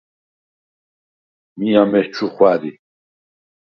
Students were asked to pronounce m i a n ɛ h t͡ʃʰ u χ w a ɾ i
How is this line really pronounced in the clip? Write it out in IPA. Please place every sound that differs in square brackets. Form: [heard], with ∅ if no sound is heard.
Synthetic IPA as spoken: m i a [m] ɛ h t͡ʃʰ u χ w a ɾ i